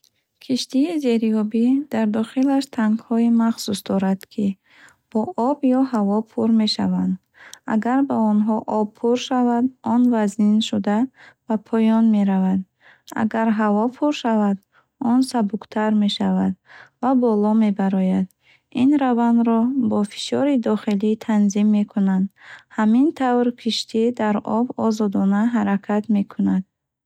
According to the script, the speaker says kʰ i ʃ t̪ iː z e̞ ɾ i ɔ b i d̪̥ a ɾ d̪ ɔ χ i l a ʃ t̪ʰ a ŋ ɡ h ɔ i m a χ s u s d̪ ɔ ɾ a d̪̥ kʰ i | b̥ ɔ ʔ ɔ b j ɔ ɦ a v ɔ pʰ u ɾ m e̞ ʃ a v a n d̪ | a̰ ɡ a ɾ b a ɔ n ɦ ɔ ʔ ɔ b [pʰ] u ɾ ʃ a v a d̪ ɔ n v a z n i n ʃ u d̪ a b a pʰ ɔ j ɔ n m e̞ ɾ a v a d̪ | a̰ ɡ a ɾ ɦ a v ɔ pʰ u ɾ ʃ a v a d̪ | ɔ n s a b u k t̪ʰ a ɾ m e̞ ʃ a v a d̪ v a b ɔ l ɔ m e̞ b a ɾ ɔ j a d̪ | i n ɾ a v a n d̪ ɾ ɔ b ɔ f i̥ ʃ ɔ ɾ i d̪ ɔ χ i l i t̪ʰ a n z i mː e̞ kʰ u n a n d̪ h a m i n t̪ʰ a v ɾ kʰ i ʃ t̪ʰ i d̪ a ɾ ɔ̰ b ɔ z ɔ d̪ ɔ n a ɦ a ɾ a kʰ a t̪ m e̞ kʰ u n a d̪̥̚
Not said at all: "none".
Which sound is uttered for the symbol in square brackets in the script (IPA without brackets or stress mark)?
pʰ